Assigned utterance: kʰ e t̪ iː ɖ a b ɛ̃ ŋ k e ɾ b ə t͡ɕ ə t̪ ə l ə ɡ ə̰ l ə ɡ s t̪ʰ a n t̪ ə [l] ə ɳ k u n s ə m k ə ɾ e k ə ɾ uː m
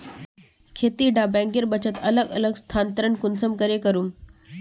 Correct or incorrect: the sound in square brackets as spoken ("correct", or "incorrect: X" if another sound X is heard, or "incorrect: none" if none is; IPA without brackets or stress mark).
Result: incorrect: ɾ